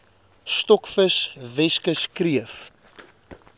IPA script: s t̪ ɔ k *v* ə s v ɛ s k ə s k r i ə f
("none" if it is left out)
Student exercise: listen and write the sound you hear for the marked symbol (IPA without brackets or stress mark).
f